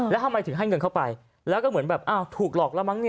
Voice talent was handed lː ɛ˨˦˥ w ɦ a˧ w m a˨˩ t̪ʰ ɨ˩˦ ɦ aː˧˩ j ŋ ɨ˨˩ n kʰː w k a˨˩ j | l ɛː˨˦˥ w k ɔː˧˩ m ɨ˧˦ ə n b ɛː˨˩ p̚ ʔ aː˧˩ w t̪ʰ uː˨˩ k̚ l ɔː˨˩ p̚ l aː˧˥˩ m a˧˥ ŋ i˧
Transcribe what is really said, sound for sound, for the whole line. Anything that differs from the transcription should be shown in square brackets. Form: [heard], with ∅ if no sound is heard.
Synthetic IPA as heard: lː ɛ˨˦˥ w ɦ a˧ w m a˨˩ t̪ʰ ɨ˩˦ ɦ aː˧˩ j ŋ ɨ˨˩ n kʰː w [p] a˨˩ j | l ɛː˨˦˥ w k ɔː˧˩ m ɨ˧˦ ə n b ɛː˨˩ p̚ ʔ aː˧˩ w t̪ʰ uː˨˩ k̚ l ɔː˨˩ [k̚] l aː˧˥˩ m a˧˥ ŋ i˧